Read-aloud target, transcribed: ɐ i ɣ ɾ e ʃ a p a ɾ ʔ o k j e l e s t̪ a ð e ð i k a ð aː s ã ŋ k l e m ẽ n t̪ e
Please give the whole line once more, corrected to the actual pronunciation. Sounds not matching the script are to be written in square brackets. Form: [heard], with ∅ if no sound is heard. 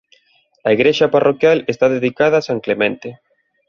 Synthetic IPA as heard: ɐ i ɣ ɾ e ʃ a p a [r] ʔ o k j [a] l e s t̪ a ð e ð i k a ð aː s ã ŋ k l e m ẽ n t̪ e

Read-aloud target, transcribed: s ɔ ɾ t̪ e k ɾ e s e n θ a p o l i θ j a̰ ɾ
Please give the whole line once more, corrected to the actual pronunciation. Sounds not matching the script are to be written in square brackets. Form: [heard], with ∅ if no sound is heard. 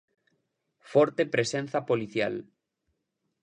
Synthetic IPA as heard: [f] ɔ ɾ t̪ e [p] ɾ e s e n θ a p o l i θ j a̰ [l]

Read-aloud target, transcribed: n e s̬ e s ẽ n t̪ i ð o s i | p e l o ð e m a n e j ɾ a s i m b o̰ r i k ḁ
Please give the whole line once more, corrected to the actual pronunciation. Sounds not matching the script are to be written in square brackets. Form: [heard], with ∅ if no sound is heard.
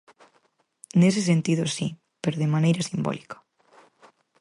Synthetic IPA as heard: n e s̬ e s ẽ n t̪ i ð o s i | p e [ɾ] o ð e m a n e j ɾ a s i m b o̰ [l] i k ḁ

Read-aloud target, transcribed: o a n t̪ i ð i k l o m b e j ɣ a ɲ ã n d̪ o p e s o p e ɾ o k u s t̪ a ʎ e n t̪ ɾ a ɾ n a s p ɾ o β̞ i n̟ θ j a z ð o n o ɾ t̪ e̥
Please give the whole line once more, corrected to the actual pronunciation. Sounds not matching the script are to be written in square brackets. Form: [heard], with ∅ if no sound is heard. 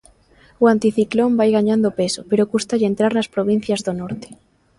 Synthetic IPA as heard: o a n t̪ i [θ] i k l o m b [a] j ɣ a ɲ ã n d̪ o p e s o p e ɾ o k u s t̪ a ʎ e n t̪ ɾ a ɾ n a s p ɾ o β̞ i n̟ θ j a z ð o n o ɾ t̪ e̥

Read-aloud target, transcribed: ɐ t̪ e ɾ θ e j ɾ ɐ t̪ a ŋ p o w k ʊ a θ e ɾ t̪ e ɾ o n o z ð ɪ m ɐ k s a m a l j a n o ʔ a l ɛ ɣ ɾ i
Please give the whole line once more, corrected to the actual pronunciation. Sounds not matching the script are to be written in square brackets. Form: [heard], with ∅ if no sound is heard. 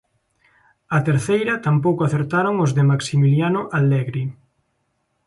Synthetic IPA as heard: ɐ t̪ e ɾ θ e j ɾ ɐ t̪ a [m] p o w k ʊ a θ e ɾ t̪ [a] ɾ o [ŋ] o z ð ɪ m [a] k s [i] m [i] l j a n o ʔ a l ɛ ɣ ɾ i

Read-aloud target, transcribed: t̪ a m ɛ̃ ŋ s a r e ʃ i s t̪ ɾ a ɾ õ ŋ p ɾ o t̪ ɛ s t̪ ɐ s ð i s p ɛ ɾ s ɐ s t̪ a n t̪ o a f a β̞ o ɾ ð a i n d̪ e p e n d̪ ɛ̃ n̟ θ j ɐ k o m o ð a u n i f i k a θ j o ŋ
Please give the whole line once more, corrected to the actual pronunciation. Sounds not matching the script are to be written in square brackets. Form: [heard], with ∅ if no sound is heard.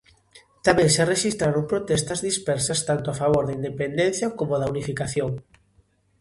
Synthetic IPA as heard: t̪ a m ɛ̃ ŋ s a r e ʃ i s t̪ ɾ a ɾ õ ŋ p ɾ o t̪ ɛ s t̪ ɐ [z] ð i s p ɛ ɾ s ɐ s t̪ a n t̪ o a f a β̞ o ɾ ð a i n d̪ e p e n d̪ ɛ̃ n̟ θ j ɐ k o m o ð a u n i f i k a θ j o ŋ

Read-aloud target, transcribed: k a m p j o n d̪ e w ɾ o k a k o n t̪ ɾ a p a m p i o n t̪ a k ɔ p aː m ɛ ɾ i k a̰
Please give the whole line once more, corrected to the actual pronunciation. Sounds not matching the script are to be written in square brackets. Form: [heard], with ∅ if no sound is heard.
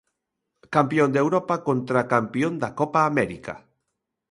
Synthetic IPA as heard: k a m p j o n d̪ e w ɾ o [p] a k o n t̪ ɾ a [k] a m p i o n [d̪] a k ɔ p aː m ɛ ɾ i k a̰

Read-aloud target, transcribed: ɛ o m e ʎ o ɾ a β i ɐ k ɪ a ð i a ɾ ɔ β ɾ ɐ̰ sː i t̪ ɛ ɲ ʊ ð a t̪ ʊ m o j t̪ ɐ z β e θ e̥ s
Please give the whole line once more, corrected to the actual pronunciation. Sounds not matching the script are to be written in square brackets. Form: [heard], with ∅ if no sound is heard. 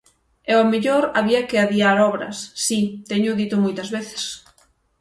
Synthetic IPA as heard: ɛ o m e ʎ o ɾ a β i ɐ k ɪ a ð i a ɾ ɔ β ɾ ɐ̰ sː i t̪ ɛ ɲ ʊ ð [i] t̪ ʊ m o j t̪ ɐ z β e θ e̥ s

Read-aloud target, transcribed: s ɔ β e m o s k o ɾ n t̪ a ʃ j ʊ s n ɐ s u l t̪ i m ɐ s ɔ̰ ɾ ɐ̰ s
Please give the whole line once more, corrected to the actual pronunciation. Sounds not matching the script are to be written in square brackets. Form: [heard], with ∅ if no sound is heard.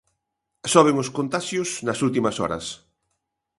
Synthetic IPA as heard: s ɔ β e [ŋ] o s k o [∅] n t̪ a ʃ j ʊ s n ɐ s u l t̪ i m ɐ s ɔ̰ ɾ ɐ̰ s

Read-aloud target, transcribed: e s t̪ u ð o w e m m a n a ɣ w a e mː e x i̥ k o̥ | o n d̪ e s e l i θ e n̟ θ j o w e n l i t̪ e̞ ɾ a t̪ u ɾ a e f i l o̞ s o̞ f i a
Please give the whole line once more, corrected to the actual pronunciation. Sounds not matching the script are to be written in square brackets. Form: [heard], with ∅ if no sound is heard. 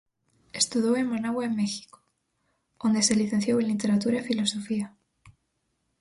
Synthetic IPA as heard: e s t̪ u ð o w e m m a n a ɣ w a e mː e x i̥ k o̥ | o n d̪ e s e l i θ e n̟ θ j o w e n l i t̪ e̞ ɾ a t̪ u ɾ a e f i l o̞ s o̞ f i a

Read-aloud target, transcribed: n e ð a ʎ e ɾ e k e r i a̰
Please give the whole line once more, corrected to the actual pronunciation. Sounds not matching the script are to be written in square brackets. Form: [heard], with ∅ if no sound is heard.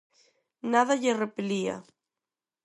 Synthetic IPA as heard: n [a] ð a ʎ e [r] e [p] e [l] i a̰

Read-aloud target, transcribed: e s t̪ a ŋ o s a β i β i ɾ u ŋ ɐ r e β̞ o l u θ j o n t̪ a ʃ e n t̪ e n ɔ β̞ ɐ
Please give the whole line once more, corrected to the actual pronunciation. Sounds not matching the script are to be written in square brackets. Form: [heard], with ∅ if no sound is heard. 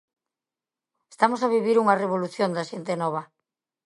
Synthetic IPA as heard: e s t̪ a [m] o s a β i β i ɾ u ŋ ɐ r e β̞ o l u θ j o n [d̪] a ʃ e n t̪ e n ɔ β̞ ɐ

